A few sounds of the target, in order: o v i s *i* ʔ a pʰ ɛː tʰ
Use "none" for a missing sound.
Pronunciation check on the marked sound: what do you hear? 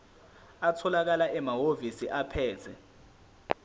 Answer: i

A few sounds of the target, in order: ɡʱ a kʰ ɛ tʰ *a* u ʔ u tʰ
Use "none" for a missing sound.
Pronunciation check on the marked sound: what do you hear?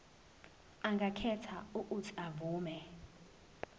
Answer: a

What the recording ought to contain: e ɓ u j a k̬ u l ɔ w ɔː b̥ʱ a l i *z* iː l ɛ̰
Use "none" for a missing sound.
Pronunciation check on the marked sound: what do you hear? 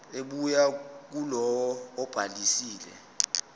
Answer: s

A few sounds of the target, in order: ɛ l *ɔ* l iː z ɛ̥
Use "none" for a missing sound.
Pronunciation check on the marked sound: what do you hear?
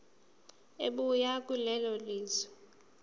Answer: ɔ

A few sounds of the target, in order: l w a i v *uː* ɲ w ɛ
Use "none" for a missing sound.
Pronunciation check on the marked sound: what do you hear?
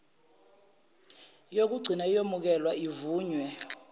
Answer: uː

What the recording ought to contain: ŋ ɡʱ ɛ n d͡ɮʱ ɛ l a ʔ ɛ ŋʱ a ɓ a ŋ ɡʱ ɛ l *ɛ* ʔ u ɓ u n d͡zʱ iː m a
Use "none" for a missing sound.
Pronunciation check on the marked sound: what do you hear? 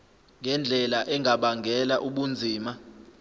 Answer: a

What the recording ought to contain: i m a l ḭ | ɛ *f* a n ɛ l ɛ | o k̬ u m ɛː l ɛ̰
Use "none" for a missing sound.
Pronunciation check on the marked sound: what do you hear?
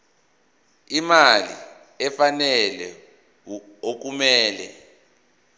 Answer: f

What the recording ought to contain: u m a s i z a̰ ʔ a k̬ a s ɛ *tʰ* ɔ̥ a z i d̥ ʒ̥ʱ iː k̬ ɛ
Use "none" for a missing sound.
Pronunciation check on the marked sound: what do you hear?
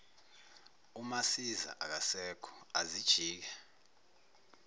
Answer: kʰ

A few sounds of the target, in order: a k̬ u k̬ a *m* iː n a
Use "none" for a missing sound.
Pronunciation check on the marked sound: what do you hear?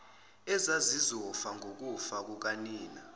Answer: n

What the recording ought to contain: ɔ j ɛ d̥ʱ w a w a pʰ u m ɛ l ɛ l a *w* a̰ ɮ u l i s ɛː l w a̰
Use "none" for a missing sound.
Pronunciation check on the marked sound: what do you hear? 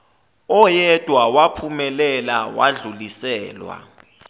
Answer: w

